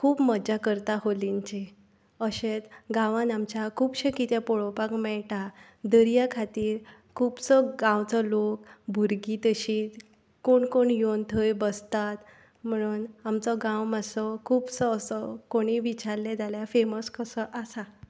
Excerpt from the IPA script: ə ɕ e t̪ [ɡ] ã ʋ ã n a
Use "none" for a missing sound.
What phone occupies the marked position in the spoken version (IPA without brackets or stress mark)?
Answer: ɡ